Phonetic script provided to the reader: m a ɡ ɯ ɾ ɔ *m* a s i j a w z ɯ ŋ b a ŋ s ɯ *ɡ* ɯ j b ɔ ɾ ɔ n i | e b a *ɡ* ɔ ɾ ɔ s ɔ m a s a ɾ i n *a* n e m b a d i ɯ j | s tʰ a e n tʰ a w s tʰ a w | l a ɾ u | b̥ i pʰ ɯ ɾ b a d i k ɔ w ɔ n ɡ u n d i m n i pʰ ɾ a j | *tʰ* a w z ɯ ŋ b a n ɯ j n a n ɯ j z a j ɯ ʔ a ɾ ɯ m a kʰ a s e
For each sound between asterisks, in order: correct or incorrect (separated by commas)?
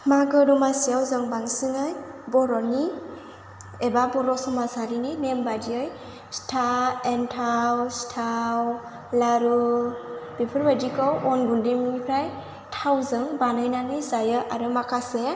correct, incorrect, incorrect, incorrect, correct